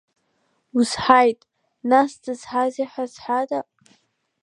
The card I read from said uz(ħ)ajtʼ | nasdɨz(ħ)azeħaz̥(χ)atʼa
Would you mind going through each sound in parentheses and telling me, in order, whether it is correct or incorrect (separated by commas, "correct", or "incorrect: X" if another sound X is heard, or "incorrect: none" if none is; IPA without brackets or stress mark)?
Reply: correct, correct, incorrect: ħ